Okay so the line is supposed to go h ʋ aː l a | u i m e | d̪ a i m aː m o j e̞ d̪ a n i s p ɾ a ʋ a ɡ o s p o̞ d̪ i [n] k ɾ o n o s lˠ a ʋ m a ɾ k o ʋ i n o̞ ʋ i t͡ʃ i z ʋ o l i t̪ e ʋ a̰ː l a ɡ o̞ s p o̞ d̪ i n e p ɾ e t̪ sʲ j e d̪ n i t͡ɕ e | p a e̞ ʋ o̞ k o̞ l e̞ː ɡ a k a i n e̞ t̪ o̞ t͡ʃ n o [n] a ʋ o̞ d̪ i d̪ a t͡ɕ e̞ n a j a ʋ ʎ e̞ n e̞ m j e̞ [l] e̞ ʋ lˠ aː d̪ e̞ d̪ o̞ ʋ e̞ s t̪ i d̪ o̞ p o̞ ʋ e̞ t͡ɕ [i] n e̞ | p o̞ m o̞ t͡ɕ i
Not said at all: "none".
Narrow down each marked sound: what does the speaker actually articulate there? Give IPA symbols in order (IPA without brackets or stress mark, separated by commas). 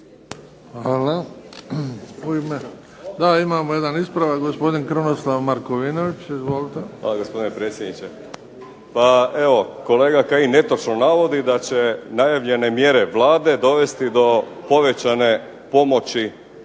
n, n, ɾ, a